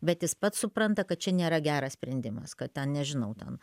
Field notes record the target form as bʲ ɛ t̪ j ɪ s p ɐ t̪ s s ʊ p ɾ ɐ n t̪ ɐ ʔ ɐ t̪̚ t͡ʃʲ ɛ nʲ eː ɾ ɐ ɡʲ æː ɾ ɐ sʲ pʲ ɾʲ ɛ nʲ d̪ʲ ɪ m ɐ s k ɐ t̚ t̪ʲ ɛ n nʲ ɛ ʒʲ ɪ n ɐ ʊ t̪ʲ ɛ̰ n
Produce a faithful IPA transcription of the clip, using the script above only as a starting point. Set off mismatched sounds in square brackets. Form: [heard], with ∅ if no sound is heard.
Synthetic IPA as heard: bʲ ɛ t̪ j ɪ s p ɐ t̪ s s ʊ p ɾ ɐ n t̪ ɐ [k] ɐ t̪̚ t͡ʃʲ ɛ nʲ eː ɾ ɐ ɡʲ æː ɾ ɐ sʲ pʲ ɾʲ ɛ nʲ d̪ʲ ɪ m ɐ s k ɐ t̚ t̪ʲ ɛ n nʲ ɛ ʒʲ ɪ n ɐ ʊ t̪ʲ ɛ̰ n